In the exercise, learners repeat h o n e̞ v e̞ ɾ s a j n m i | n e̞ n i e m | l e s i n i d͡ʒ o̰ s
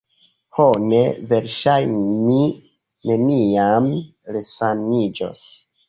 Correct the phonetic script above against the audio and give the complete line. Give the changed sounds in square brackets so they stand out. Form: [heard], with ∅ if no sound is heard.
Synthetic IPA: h o n e̞ v e̞ ɾ [ʃ] a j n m i | n e̞ n i [a] m | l e s [a] n i d͡ʒ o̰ s